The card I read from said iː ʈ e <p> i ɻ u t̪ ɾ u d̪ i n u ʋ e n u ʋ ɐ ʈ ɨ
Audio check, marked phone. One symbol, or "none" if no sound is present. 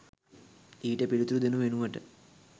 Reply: p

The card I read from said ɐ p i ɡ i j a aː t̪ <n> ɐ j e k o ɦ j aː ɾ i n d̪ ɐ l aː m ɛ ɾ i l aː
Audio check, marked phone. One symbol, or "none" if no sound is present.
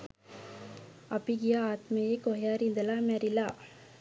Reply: m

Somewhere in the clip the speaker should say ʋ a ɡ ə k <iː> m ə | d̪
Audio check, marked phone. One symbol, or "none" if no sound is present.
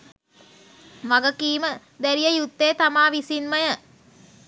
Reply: iː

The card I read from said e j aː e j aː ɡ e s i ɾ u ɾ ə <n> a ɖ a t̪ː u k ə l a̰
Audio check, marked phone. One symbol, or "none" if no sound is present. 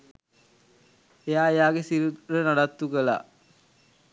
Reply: n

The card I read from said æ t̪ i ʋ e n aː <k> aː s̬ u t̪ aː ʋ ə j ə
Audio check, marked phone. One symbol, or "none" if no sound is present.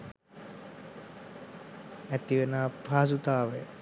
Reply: p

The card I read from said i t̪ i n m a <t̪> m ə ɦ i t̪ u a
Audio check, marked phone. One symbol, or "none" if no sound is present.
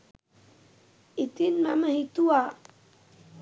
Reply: none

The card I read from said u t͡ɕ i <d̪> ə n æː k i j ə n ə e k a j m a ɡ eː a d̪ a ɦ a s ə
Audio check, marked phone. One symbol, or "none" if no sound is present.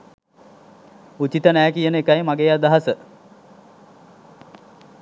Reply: t̪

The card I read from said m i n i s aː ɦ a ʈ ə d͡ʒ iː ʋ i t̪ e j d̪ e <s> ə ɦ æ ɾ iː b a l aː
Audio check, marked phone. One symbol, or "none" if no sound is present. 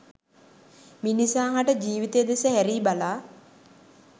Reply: s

